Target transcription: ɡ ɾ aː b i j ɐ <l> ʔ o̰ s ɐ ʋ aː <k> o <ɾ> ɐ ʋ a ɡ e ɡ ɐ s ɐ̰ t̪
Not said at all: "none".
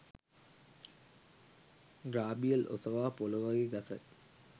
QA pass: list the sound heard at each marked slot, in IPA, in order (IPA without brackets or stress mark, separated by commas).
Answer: l, p, l